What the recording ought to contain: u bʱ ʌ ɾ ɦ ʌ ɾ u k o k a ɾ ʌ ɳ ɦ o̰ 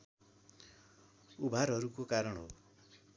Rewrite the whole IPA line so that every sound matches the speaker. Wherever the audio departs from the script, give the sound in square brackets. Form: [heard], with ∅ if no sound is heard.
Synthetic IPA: u bʱ [a] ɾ ɦ ʌ ɾ u k o k a ɾ ʌ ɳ ɦ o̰